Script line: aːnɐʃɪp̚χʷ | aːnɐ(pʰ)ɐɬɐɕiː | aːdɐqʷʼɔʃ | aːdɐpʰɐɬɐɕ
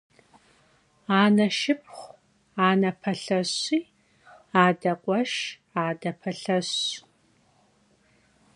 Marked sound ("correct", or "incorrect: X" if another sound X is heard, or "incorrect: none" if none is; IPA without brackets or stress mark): correct